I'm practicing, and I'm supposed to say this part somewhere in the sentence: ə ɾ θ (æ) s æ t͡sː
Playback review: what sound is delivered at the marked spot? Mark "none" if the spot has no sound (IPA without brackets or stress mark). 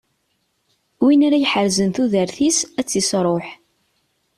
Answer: i